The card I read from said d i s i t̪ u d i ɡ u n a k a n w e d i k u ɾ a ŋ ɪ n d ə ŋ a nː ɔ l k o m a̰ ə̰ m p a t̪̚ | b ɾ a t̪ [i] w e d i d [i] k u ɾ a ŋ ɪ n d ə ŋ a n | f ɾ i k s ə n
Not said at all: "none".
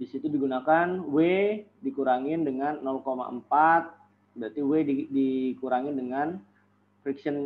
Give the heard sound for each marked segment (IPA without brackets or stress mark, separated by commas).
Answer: i, i